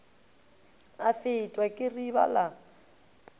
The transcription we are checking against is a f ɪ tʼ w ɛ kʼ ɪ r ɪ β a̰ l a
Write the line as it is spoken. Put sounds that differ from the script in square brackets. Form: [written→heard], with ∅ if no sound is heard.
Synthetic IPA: a f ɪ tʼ w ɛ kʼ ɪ r [ɪ→i] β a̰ l a